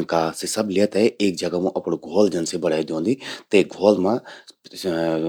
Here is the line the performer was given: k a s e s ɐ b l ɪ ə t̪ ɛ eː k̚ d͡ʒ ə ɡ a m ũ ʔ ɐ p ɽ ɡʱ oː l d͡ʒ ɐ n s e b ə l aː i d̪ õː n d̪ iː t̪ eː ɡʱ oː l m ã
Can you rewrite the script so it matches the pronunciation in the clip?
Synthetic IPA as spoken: k a s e s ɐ b l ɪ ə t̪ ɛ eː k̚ d͡ʒ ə ɡ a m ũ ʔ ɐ p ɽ ɡʱ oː l d͡ʒ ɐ n s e b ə ɽ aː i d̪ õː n d̪ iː t̪ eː ɡʱ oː l m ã